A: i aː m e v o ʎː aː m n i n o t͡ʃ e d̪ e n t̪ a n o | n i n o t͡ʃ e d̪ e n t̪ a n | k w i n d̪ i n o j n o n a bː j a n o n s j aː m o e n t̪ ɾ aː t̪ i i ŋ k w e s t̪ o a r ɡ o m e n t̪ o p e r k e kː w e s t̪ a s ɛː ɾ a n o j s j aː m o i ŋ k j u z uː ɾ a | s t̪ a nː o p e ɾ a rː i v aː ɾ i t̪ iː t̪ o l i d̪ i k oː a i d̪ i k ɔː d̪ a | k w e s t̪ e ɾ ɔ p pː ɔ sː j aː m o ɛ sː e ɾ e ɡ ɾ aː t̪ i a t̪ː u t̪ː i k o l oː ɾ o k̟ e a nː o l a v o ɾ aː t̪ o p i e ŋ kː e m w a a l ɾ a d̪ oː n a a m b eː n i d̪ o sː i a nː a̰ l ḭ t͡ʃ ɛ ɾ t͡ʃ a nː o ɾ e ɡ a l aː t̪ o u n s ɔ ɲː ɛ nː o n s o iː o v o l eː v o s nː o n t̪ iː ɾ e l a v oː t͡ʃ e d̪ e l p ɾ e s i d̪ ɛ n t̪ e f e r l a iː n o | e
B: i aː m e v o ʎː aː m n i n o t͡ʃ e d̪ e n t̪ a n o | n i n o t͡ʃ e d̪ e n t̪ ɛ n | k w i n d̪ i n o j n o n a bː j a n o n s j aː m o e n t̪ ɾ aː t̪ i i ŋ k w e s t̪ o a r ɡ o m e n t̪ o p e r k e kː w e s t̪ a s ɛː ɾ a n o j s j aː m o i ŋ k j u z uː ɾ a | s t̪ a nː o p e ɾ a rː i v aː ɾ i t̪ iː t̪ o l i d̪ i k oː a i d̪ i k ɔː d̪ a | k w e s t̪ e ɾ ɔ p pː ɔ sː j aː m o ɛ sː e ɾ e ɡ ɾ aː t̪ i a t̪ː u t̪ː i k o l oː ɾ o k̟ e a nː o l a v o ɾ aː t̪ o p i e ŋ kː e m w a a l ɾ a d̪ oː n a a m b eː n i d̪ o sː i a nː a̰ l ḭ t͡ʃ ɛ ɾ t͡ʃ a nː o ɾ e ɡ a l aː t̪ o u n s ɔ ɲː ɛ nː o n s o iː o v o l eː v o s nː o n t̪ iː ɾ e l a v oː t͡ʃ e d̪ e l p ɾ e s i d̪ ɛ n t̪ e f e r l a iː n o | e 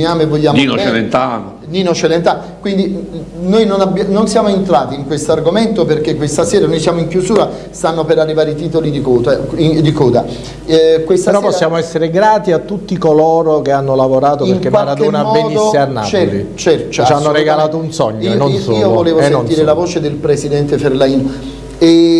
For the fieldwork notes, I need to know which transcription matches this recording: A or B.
A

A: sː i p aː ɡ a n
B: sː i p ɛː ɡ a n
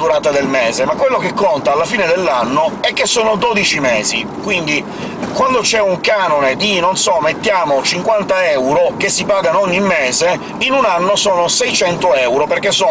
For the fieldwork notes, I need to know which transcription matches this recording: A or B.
A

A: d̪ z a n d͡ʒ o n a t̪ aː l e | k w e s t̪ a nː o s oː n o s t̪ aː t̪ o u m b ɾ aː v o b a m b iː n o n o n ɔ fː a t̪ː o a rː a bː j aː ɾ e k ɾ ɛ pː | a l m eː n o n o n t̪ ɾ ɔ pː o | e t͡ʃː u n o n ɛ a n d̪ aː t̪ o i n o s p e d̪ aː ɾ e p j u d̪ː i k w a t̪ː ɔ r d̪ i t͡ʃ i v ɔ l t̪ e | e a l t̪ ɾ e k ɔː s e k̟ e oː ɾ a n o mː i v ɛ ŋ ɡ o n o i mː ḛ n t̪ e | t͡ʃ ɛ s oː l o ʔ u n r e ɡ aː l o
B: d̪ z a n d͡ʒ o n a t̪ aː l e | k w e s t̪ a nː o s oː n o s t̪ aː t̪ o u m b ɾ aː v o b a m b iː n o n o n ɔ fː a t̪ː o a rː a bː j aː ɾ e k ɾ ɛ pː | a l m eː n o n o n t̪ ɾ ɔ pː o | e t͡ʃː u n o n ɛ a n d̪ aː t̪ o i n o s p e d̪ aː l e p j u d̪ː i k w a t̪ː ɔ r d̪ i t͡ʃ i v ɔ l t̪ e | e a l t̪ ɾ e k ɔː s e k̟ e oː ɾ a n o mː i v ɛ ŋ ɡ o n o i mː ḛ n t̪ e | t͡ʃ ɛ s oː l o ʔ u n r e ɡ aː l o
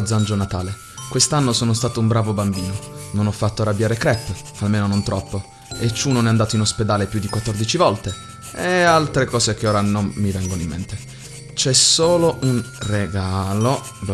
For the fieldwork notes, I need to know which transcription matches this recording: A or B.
B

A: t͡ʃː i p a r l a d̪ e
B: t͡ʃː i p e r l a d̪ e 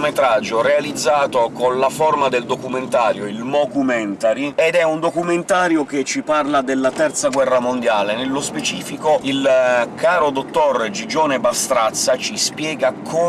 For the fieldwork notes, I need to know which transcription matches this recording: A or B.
A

